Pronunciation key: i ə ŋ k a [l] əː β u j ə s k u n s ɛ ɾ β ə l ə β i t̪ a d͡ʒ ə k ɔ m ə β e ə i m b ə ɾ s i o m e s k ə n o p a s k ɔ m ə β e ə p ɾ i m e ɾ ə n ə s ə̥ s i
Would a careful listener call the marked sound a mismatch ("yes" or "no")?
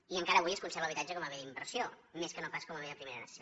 yes